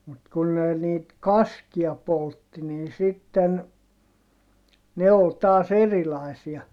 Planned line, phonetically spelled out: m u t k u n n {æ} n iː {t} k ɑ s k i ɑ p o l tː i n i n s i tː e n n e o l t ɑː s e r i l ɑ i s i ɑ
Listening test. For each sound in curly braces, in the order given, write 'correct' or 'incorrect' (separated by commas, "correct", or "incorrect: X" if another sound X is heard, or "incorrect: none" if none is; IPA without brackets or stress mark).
incorrect: e, correct